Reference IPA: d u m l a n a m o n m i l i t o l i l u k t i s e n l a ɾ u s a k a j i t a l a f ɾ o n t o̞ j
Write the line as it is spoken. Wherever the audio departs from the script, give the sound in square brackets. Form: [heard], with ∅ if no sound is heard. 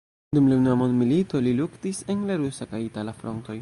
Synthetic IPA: d u m l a n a m o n m i l i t o l i l u k t i s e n l a ɾ u s a k a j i t a l a f ɾ o n t o̞ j